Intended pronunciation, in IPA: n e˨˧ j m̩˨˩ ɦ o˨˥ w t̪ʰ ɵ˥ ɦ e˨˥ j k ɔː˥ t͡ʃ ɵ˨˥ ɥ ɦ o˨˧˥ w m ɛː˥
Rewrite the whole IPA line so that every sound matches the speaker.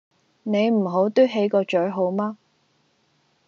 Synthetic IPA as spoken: n e˨˧ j m̩˨˩ ɦ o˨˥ w t̪ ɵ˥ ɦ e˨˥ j k ɔː˧ t͡ʃ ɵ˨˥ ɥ ɦ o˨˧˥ w m aː˥